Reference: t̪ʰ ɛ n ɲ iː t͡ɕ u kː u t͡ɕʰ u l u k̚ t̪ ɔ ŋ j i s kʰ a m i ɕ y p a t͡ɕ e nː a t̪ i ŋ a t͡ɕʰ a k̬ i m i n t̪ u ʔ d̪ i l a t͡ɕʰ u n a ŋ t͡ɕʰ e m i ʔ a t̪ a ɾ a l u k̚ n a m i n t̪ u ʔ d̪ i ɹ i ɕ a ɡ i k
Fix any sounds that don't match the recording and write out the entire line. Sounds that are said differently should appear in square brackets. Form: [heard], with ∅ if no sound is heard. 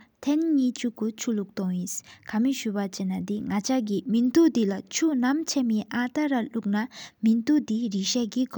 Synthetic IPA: t̪ʰ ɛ n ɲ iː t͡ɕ u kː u t͡ɕʰ u l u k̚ t̪ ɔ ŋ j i s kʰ a m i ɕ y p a t͡ɕ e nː a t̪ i ŋ a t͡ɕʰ a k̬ i m i n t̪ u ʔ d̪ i l a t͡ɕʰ u n a [m] t͡ɕʰ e m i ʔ a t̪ a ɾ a l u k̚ n a m i n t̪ u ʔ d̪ i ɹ i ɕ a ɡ i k